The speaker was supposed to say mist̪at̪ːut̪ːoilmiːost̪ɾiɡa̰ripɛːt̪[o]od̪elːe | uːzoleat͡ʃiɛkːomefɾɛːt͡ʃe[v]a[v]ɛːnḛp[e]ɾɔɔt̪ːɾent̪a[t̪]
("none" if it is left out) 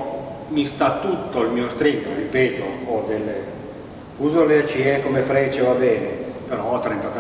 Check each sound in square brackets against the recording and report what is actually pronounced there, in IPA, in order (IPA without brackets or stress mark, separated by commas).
o, v, b, e, t̪